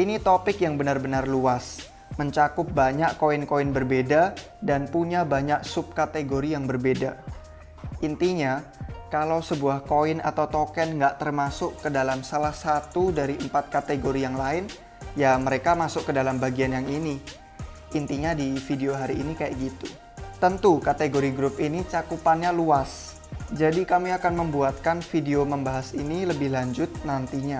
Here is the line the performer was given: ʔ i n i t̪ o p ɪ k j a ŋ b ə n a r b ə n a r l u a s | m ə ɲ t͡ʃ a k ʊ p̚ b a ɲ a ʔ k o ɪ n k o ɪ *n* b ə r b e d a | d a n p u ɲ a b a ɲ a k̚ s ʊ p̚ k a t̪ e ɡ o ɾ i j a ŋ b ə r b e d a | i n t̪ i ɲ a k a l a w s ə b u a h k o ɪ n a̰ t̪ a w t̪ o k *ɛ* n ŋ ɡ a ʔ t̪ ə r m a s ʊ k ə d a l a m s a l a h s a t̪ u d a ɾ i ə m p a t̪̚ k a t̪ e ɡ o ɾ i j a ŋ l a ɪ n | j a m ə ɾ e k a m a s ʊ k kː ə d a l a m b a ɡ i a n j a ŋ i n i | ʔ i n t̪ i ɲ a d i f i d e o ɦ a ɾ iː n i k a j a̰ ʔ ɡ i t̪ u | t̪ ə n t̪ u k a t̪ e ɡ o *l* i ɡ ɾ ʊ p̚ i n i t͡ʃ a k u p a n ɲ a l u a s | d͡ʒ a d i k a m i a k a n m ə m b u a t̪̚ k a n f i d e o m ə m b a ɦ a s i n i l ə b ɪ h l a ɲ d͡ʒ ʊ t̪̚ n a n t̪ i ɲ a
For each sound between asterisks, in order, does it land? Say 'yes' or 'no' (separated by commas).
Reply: yes, yes, no